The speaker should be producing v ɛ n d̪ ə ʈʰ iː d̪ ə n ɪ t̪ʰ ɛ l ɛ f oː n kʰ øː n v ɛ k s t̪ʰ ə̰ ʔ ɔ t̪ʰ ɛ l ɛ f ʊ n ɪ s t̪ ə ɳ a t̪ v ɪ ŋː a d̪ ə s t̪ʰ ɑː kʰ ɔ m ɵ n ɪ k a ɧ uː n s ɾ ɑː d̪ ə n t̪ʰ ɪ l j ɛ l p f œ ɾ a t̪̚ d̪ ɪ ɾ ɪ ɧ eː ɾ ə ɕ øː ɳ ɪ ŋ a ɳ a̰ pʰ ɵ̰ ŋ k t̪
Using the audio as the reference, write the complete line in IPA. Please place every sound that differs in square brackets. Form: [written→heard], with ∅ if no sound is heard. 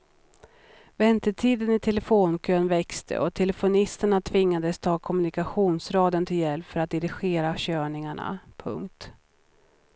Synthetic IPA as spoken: v ɛ n [d̪→t̪] ə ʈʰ iː d̪ ə n ɪ t̪ʰ ɛ l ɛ f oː n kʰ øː n v ɛ k s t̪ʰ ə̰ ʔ ɔ t̪ʰ ɛ l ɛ f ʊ n ɪ s t̪ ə ɳ a [t̪→t̪ʰ] v ɪ ŋː a d̪ ə s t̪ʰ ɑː kʰ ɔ m ɵ n ɪ k a ɧ uː n s ɾ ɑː d̪ ə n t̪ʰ ɪ l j ɛ l p f œ ɾ a t̪̚ d̪ ɪ ɾ ɪ ɧ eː ɾ [ə→a] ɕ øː ɳ ɪ ŋ a ɳ a̰ pʰ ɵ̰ ŋ k t̪